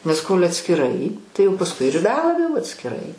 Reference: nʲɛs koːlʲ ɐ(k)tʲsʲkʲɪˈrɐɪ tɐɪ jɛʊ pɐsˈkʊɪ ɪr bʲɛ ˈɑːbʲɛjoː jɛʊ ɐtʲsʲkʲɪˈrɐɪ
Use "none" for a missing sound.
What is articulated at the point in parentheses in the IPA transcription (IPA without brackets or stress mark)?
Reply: none